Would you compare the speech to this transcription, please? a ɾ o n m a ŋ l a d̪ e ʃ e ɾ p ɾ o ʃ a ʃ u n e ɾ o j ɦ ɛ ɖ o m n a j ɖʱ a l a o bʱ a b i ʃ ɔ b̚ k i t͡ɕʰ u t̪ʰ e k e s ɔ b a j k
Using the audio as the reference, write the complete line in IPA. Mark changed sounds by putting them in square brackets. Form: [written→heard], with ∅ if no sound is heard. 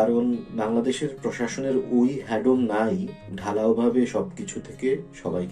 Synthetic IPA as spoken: a ɾ o n [m→b] a ŋ l a d̪ e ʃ e ɾ p ɾ o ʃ a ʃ [u→o] n e ɾ o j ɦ ɛ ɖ o m n a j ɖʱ a l a o bʱ a b [i→e] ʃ ɔ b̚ k i t͡ɕʰ u t̪ʰ e k e [s→ʃ] ɔ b a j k